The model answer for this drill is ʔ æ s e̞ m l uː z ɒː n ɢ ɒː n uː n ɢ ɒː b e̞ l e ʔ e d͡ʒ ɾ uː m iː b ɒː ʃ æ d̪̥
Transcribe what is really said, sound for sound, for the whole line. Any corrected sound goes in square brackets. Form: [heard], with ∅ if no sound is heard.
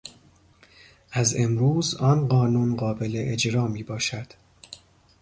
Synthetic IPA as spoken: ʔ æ [z] e̞ m [ɾ] uː z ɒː n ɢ ɒː n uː n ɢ ɒː b e̞ l e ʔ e d͡ʒ ɾ [ɒː] m iː b ɒː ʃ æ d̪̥